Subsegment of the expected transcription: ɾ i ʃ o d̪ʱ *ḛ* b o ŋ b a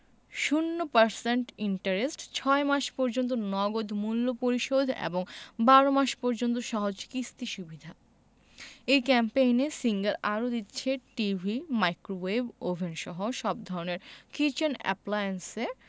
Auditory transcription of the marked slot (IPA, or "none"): ḛ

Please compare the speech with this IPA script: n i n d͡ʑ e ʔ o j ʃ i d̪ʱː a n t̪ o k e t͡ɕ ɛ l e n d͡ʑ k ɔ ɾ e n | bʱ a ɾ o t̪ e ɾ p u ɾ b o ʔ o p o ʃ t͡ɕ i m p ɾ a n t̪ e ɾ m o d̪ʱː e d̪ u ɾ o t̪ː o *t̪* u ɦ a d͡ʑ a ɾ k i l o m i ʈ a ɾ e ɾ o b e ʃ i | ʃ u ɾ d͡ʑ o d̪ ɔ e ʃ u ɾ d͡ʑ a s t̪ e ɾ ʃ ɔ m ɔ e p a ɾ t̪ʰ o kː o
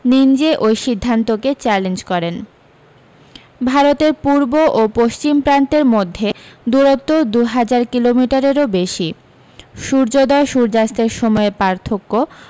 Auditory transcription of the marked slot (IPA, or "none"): d̪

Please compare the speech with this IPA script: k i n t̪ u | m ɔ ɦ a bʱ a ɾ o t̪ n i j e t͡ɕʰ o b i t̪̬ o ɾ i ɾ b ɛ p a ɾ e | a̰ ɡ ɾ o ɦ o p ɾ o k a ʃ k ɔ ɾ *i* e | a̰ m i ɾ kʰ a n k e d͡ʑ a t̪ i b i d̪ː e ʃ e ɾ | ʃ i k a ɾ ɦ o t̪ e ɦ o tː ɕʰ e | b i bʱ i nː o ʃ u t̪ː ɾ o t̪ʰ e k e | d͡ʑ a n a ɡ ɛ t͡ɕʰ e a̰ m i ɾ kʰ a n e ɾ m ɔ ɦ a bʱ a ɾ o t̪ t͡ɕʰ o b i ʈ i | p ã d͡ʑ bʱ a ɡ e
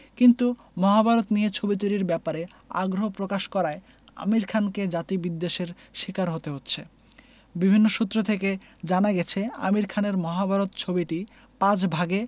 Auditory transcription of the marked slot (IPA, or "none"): a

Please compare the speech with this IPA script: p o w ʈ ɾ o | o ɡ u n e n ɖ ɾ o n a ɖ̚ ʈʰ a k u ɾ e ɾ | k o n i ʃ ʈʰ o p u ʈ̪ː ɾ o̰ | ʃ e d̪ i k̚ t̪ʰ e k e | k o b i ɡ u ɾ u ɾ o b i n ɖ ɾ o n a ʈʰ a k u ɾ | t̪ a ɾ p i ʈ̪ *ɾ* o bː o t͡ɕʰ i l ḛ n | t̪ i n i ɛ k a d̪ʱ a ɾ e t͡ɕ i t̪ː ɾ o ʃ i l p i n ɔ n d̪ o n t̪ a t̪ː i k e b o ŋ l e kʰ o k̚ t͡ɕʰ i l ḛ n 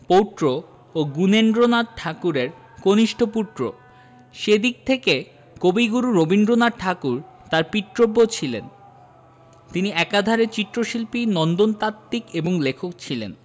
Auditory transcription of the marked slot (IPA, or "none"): ɾ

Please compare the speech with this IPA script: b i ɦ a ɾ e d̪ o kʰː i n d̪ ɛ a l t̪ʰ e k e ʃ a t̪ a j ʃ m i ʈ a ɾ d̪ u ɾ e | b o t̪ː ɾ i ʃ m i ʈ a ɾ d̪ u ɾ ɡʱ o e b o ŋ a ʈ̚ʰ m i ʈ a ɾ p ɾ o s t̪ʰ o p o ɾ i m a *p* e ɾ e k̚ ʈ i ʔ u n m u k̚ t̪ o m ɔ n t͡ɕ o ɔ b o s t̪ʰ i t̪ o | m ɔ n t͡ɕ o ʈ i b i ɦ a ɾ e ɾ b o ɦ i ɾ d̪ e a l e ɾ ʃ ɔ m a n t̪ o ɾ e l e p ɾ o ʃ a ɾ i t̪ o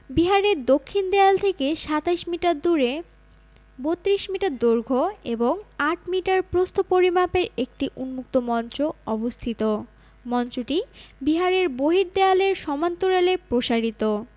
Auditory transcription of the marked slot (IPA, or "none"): p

